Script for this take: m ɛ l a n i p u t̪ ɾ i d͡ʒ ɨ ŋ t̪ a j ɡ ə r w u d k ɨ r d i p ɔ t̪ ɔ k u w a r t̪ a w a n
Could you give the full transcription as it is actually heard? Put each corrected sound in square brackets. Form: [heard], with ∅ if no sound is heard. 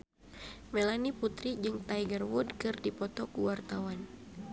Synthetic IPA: m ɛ l a n i p u t̪ ɾ i d͡ʒ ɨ ŋ t̪ a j ɡ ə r w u d k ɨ r d i p ɔ t̪ ɔ k u w a r t̪ a w a n